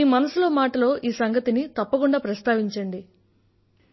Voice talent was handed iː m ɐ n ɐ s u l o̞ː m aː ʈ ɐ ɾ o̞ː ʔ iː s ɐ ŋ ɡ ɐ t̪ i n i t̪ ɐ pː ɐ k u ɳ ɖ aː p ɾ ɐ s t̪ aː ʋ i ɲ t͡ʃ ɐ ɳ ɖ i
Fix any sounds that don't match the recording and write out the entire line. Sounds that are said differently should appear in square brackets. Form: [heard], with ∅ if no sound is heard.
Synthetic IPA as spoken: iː m ɐ n ɐ s u l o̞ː m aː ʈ ɐ [l] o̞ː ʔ iː s ɐ ŋ ɡ ɐ t̪ i n i t̪ ɐ pː ɐ k u ɳ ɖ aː p ɾ ɐ s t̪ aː ʋ i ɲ t͡ʃ ɐ ɳ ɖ i